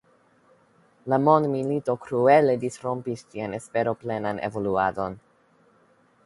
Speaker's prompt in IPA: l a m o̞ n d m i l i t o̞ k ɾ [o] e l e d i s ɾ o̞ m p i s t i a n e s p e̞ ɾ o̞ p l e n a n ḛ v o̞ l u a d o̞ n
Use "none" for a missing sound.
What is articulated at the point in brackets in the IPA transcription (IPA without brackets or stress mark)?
u